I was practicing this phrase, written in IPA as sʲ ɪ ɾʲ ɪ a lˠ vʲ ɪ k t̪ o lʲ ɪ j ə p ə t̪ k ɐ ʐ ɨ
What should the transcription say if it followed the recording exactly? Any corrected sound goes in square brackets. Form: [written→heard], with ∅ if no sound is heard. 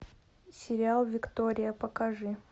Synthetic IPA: sʲ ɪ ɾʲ ɪ a lˠ vʲ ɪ k t̪ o [lʲ→ɾʲ] ɪ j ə p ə [t̪→∅] k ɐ ʐ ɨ